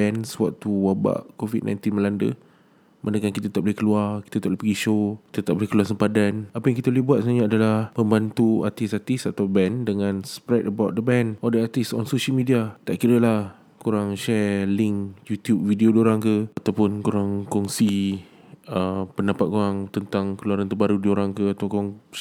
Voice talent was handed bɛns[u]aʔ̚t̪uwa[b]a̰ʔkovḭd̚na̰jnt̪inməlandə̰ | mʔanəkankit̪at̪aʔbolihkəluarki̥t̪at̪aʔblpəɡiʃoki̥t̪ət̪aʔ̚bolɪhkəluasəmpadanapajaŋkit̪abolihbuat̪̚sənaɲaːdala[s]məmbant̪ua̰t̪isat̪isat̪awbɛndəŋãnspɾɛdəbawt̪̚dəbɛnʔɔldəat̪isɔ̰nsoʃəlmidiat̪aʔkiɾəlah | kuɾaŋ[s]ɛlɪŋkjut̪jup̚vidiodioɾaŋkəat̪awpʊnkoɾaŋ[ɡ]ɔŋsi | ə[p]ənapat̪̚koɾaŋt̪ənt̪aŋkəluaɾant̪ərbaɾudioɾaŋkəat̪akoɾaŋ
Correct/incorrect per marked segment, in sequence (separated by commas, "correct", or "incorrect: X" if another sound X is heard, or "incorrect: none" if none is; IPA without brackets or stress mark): incorrect: w, correct, incorrect: h, incorrect: ʃ, incorrect: k, correct